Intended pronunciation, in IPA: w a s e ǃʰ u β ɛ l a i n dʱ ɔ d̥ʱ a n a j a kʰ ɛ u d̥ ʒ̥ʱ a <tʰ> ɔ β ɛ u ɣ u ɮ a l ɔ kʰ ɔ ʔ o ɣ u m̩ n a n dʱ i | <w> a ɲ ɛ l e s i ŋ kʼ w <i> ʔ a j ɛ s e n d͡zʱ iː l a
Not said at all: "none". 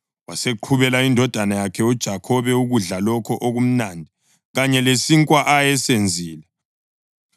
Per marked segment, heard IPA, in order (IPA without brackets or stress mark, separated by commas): kʰ, ɣ, a